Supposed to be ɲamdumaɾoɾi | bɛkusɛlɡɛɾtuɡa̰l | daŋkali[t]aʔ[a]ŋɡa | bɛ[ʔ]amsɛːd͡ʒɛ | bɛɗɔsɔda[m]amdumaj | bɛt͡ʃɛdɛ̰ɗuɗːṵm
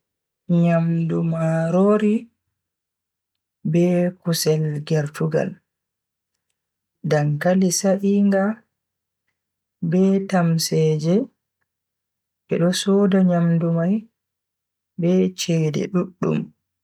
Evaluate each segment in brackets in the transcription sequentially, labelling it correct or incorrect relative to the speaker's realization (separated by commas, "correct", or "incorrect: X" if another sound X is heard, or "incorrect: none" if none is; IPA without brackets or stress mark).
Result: incorrect: s, incorrect: i, incorrect: t, incorrect: ɲ